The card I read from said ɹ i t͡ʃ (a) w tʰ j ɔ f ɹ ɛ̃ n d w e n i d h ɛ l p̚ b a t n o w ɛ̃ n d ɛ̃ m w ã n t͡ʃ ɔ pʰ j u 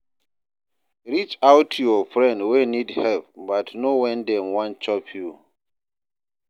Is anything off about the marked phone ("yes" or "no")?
no